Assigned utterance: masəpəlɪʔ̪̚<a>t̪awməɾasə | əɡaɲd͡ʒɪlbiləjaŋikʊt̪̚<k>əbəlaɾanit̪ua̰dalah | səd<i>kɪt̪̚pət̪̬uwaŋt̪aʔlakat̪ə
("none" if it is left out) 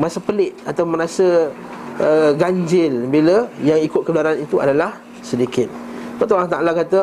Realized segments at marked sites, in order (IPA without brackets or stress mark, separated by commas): a, k, i